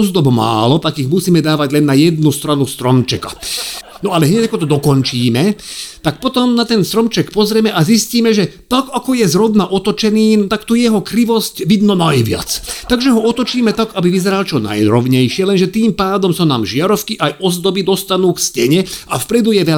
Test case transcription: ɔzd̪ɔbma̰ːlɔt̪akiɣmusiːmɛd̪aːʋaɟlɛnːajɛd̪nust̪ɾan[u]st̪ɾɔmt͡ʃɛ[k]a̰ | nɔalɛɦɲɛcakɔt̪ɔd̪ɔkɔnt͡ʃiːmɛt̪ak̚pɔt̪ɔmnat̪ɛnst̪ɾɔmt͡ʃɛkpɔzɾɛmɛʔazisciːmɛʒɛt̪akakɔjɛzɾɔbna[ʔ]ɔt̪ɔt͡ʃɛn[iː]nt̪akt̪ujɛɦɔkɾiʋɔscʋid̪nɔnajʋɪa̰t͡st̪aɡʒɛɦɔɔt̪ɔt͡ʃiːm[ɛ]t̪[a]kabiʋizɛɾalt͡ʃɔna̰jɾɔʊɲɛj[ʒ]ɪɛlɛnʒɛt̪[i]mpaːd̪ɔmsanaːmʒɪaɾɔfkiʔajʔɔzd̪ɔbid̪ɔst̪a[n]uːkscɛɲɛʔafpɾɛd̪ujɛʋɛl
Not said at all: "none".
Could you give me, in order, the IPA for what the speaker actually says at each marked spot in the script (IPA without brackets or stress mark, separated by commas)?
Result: u, k, ʔ, iː, ɛ, a, ʃ, iː, n